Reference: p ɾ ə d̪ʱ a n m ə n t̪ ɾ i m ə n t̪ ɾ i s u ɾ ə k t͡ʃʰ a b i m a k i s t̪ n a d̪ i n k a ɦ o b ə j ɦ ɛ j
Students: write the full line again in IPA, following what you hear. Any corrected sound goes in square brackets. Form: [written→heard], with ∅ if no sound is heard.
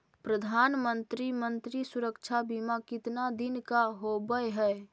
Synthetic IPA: p ɾ ə d̪ʱ a n m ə n t̪ ɾ i m ə n t̪ ɾ i s u ɾ ə k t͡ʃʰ a b i m a k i [s→∅] t̪ n a d̪ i n k a ɦ o b ə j ɦ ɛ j